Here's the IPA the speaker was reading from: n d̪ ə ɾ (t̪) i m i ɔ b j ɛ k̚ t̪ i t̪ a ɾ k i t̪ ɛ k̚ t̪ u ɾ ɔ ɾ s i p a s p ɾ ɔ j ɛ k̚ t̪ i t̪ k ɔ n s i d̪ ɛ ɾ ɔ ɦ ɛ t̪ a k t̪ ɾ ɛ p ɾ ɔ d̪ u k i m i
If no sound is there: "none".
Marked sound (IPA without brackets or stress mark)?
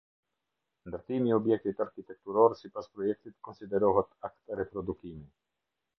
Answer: t̪